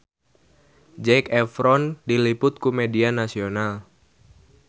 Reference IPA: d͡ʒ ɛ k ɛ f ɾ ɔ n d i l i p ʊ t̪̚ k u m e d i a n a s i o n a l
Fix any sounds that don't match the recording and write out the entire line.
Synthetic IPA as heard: d͡ʒ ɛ k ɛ f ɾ ɔ n d i l i p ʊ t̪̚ k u m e d i a n a s i o n a l